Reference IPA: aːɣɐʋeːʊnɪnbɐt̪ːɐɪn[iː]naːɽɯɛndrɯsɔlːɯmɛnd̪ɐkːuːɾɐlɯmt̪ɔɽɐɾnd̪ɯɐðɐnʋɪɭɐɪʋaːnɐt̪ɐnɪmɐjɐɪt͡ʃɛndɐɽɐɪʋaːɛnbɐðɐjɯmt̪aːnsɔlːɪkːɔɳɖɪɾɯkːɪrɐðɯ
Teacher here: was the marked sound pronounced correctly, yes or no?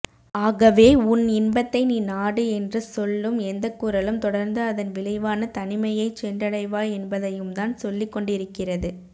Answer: yes